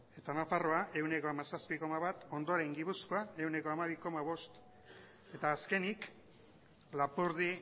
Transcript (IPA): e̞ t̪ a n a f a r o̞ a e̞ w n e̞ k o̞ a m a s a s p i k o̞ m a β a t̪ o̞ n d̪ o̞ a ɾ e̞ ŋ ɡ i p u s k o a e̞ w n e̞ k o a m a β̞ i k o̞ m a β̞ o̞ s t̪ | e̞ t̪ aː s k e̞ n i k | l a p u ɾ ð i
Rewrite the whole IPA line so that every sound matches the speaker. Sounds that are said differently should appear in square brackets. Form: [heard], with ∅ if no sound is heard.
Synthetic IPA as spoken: e̞ t̪ a n a f a r o̞ a e̞ w n e̞ k o̞ a m a s a s p i k o̞ m a β a t̪ o̞ n d̪ o̞ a ɾ e̞ ŋ ɡ i p u s k o a e̞ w n e̞ k o a m a β̞ i k o̞ m a β̞ o̞ s t̪ | e̞ t̪ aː s k e̞ n i k | l a p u ɾ ð i

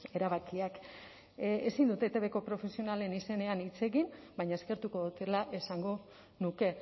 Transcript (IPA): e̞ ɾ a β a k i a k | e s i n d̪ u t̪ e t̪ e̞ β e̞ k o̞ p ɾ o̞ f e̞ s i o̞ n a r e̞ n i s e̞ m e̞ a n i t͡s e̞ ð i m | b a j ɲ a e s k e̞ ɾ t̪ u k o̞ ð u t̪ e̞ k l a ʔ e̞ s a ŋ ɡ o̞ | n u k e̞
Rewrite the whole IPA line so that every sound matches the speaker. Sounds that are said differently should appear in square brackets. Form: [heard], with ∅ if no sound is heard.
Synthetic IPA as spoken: e̞ ɾ a β a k i a k | e s i n d̪ u t̪ e t̪ e̞ β e̞ k o̞ p ɾ o̞ f e̞ s i o̞ n a [l] e̞ n i s e̞ [n] e̞ a n i t͡s e̞ [ɣ] i m | b a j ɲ a e s k e̞ ɾ t̪ u k o̞ ð u t̪ e̞ [∅] l a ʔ e̞ s a ŋ ɡ o̞ | n u k e̞

